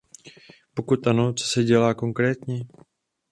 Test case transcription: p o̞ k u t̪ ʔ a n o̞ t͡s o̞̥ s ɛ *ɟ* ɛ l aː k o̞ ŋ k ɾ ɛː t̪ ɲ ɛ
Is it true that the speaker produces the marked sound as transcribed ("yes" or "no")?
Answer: yes